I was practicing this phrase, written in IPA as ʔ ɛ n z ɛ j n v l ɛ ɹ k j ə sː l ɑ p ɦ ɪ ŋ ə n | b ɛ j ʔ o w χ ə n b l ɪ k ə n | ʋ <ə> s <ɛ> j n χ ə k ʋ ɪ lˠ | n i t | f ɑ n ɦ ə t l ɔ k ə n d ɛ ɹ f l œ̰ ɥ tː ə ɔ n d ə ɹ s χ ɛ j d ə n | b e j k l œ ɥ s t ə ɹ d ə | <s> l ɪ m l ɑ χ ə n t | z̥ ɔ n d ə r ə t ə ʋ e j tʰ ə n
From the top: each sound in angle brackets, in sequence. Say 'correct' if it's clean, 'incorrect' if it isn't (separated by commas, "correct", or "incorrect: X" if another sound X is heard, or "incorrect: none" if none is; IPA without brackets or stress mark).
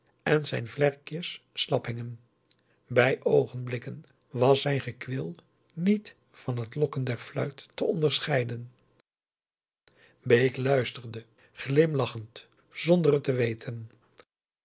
incorrect: ɑ, correct, incorrect: χ